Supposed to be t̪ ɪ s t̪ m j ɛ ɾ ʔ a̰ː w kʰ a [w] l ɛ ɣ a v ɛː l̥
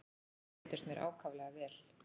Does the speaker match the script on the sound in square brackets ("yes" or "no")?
no